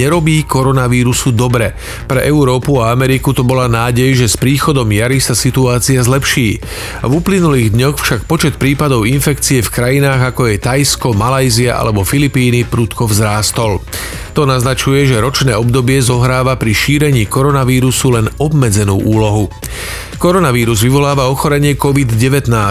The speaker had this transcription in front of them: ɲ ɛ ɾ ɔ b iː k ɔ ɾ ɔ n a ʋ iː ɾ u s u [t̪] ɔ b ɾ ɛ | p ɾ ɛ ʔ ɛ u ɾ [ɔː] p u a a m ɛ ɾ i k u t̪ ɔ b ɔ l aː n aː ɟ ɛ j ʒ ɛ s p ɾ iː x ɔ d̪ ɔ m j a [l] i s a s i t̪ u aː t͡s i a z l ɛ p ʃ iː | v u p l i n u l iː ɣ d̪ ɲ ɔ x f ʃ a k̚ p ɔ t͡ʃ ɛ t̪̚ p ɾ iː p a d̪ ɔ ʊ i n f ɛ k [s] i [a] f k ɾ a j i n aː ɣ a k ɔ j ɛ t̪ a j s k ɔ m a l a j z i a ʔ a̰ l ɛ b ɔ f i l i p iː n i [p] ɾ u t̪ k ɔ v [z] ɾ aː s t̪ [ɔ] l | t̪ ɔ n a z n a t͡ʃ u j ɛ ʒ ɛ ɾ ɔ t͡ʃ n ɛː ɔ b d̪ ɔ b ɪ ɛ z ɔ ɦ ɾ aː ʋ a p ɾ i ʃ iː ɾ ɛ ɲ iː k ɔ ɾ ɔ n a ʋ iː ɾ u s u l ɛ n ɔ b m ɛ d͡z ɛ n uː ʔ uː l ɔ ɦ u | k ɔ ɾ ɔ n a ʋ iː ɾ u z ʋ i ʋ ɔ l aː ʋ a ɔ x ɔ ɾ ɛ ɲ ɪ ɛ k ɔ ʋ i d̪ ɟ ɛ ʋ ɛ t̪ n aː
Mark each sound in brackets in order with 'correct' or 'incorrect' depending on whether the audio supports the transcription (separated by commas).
incorrect, correct, incorrect, incorrect, incorrect, correct, correct, correct